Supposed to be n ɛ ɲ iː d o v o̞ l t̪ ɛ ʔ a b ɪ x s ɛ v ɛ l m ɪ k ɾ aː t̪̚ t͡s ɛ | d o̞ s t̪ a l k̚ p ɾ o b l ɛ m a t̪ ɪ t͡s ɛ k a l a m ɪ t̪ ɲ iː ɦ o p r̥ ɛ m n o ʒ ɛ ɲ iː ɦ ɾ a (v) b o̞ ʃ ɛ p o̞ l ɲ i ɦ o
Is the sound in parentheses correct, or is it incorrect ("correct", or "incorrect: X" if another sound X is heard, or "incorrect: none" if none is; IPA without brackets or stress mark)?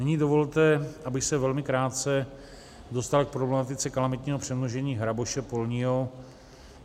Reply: incorrect: none